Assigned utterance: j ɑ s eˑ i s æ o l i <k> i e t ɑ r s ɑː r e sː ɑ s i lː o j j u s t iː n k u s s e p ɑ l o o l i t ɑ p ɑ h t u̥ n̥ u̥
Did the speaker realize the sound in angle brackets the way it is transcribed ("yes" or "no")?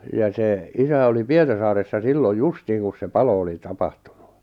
no